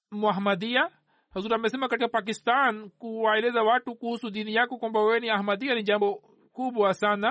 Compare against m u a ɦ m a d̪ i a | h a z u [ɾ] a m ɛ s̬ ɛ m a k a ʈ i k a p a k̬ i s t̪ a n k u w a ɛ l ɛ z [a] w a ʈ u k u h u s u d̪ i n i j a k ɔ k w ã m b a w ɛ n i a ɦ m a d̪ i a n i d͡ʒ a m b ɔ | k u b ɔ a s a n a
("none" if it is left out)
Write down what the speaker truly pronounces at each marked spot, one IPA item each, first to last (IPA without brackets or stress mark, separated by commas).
ɾ, a